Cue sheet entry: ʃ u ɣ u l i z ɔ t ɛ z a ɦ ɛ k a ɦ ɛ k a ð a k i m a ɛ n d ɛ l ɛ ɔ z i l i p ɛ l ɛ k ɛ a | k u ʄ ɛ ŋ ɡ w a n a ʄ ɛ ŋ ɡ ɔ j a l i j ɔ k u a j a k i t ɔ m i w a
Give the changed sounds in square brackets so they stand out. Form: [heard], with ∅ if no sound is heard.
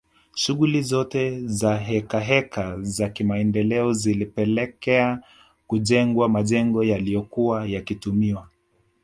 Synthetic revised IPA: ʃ u ɣ u l i z ɔ t ɛ z a ɦ ɛ k a ɦ ɛ k a [z] a k i m a ɛ n d ɛ l ɛ ɔ z i l i p ɛ l ɛ k ɛ a | k u ʄ ɛ ŋ ɡ w a [m] a ʄ ɛ ŋ ɡ ɔ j a l i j ɔ k u a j a k i t [u] m i w a